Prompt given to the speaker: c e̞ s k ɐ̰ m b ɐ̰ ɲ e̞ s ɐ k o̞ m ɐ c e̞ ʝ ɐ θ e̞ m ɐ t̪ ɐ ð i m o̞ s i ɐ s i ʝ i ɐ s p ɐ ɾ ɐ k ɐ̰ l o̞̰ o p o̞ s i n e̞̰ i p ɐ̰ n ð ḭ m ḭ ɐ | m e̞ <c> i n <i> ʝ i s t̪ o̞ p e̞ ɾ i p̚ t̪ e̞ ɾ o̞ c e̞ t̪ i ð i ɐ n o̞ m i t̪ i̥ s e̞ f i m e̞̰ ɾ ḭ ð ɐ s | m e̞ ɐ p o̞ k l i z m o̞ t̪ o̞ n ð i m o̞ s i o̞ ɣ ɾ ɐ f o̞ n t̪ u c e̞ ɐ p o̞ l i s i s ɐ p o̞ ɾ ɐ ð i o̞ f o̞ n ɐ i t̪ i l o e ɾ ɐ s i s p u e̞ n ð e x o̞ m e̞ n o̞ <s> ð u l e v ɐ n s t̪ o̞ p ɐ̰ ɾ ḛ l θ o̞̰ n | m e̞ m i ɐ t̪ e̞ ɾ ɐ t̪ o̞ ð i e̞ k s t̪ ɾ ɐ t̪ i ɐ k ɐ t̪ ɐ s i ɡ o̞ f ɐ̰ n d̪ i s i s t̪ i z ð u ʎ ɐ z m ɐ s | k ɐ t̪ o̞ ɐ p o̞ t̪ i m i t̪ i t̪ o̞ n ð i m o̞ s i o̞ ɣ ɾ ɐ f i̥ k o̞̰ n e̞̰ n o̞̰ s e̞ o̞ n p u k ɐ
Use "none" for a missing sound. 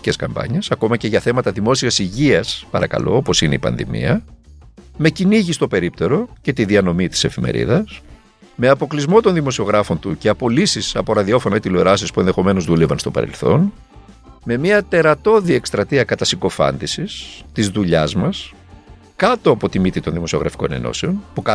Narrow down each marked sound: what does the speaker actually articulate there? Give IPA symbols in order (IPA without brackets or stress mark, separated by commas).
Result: c, i, z